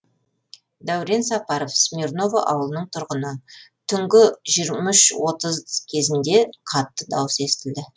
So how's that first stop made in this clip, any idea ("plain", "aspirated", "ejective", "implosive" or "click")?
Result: plain